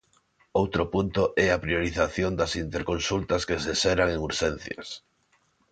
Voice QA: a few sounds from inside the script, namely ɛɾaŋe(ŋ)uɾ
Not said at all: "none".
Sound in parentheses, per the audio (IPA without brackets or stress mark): ŋ